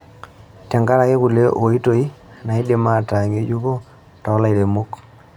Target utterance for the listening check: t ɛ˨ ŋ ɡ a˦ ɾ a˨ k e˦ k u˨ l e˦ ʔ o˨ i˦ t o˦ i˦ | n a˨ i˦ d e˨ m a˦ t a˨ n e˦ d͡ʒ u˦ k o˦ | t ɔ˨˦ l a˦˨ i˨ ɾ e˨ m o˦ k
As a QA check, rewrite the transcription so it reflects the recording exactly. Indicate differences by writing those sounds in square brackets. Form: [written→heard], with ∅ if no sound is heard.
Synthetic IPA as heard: t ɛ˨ ŋ ɡ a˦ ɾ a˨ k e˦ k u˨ l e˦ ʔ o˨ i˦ t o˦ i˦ | n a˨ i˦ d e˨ m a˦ t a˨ [n→ŋ] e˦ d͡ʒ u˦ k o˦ | t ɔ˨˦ l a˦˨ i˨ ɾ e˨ m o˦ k